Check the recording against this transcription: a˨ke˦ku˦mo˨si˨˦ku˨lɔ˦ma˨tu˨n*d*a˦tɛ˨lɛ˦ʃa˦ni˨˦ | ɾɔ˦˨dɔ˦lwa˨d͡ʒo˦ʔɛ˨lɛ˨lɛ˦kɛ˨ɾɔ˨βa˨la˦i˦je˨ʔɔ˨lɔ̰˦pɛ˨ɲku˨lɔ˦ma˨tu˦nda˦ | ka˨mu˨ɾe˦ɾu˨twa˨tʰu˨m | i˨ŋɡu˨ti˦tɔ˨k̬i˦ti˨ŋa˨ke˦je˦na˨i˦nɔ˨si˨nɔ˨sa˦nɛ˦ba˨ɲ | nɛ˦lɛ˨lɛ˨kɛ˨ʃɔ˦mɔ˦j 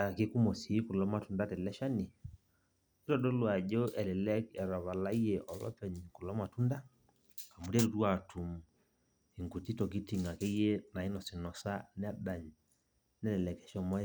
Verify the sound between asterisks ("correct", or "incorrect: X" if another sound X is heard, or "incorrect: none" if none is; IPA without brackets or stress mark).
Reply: correct